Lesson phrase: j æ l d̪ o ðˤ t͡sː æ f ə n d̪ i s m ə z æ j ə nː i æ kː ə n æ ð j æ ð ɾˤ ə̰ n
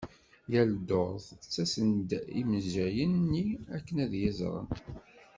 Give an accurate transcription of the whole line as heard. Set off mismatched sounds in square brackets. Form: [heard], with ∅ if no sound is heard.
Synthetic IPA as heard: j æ l d̪ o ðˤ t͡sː æ [s] ə n d̪ i [∅] m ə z æ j ə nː i æ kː ə n æ ð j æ [z] ɾˤ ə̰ n